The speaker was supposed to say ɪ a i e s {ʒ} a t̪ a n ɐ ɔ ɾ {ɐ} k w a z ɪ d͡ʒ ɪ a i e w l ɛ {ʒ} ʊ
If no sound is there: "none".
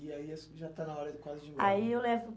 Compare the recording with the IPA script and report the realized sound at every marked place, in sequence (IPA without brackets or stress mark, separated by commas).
ʒ, ɐ, v